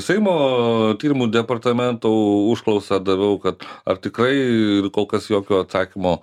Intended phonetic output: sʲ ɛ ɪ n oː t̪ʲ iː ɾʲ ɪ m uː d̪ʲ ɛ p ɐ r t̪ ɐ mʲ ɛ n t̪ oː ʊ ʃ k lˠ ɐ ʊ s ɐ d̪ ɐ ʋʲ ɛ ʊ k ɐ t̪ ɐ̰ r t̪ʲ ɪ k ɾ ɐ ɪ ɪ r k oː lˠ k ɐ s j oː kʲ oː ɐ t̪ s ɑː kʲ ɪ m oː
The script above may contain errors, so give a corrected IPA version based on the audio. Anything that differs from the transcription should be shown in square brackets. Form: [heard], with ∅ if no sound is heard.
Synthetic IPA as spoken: sʲ ɛ ɪ [m] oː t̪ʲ iː ɾʲ ɪ m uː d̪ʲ ɛ p ɐ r t̪ ɐ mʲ ɛ n t̪ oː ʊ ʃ k lˠ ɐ ʊ s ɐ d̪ ɐ ʋʲ ɛ ʊ k ɐ t̪ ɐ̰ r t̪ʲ ɪ k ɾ ɐ ɪ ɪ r k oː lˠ k ɐ s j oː kʲ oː ɐ t̪ s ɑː kʲ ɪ m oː